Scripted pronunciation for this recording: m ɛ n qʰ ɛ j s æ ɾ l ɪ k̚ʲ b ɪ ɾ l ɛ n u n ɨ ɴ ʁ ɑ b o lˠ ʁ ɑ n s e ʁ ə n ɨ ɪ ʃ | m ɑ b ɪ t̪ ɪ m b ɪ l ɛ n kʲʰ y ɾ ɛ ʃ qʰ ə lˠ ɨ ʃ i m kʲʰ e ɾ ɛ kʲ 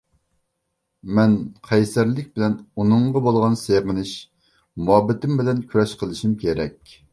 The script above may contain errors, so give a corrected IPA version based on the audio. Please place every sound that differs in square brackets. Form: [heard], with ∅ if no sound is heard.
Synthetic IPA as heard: m ɛ n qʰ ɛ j s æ ɾ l ɪ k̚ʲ b ɪ [∅] l ɛ n u n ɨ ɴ ʁ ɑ b o lˠ ʁ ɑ n s e ʁ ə n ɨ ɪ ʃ | m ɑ b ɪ t̪ ɪ m b ɪ l ɛ n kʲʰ y ɾ ɛ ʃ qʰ ə lˠ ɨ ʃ i m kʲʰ e ɾ ɛ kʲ